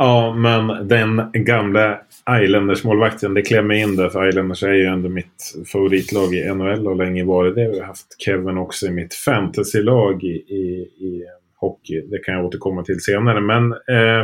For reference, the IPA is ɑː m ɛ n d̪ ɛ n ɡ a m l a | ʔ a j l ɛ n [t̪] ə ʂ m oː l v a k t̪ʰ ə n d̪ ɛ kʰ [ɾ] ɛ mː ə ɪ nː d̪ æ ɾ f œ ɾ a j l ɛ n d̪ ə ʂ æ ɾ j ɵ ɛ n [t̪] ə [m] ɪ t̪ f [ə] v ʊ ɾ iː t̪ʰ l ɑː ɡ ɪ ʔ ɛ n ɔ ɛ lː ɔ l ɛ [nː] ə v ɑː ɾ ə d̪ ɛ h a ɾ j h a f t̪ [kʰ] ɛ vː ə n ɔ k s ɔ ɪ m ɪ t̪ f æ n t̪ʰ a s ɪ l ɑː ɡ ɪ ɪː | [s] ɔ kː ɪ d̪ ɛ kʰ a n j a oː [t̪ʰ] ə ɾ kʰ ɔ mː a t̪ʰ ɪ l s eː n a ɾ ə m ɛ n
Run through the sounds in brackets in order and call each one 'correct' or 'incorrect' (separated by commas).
incorrect, incorrect, incorrect, correct, incorrect, incorrect, correct, incorrect, incorrect